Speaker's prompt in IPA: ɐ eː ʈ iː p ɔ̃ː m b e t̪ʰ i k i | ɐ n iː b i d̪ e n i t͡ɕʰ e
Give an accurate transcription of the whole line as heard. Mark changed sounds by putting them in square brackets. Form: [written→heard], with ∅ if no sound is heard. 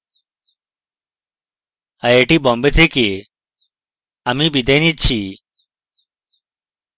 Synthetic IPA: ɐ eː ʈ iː [p→b] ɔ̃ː m b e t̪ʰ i k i | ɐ [n→m] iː b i d̪ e n i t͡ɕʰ [e→i]

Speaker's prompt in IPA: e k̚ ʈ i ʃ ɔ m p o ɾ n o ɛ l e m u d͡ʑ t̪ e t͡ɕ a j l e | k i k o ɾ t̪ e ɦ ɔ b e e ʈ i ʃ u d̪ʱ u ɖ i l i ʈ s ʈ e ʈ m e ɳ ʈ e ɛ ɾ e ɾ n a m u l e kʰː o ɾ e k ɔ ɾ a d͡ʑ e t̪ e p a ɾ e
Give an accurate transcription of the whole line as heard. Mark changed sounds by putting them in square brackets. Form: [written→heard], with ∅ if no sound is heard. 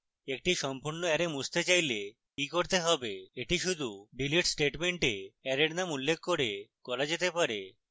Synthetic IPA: e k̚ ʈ i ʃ ɔ m p [o→u] ɾ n o ɛ [l→ɾ] e m u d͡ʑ t̪ e t͡ɕ a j l e | k i k o ɾ t̪ e ɦ ɔ b e e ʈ i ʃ u d̪ʱ u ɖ i l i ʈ s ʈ e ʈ m e ɳ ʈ e ɛ ɾ e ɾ n a m u [l→lː] e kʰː o ɾ e k ɔ ɾ a d͡ʑ e t̪ e p a ɾ e

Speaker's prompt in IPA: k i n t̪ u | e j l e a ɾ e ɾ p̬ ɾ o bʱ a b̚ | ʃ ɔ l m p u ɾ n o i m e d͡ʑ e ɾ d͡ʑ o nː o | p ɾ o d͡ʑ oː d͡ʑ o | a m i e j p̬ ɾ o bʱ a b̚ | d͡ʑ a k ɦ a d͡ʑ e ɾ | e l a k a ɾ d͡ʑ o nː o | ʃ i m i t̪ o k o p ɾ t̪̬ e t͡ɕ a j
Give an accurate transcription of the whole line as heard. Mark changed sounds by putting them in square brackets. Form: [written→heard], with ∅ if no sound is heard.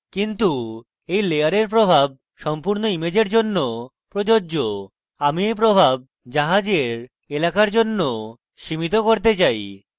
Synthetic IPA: k i n t̪ u | e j l e a ɾ e ɾ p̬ ɾ o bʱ a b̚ | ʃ ɔ [l→∅] m p u ɾ n o i m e d͡ʑ e ɾ d͡ʑ o nː o | p ɾ o d͡ʑ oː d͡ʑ o | a m i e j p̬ ɾ o bʱ a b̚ | d͡ʑ a [k→∅] ɦ a d͡ʑ e ɾ | e l a k a ɾ d͡ʑ o nː o | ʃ i m i t̪ o k o [p→∅] ɾ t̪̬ e t͡ɕ a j

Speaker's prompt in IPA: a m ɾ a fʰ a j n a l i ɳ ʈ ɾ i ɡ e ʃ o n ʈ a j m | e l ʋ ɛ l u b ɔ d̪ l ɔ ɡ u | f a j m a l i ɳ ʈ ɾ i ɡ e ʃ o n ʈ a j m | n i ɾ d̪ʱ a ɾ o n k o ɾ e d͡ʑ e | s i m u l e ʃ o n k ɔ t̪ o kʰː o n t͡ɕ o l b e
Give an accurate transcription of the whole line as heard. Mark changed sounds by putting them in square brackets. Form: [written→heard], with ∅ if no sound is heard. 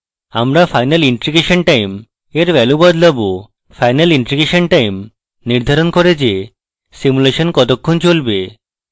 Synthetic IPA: a m ɾ a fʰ a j n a l i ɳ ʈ ɾ i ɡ e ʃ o n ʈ a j m | e [l→ɾ] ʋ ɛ l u b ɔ d̪ l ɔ [ɡ→b] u | f a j [m→n] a l i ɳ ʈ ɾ i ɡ e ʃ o n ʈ a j m | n i ɾ d̪ʱ a ɾ o n k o ɾ e d͡ʑ e | s i m u l e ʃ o n k ɔ t̪ o kʰː o n t͡ɕ o l b e

